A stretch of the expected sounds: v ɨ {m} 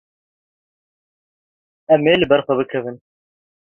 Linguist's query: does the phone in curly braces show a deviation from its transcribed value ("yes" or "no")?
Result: yes